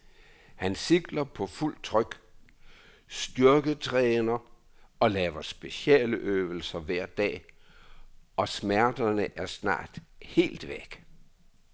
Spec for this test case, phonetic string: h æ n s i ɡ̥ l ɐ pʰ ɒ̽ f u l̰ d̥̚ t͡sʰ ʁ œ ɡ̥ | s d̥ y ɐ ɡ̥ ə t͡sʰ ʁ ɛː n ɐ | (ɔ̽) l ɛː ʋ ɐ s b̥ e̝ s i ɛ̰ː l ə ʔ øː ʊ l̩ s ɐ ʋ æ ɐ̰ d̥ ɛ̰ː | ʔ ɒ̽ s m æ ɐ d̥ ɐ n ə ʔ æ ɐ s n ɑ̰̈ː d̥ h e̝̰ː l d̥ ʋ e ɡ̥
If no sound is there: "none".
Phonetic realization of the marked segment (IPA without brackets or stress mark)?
ɒ̽